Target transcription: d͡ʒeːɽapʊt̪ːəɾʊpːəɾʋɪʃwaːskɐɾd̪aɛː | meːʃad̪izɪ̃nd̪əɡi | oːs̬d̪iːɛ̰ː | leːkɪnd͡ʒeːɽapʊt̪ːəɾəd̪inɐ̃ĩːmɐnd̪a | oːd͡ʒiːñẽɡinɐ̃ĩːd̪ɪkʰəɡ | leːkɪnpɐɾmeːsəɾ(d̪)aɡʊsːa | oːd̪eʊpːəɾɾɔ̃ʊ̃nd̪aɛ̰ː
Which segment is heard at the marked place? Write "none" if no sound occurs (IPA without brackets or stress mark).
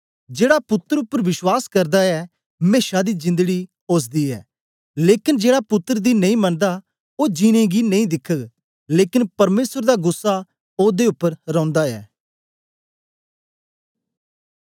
d̪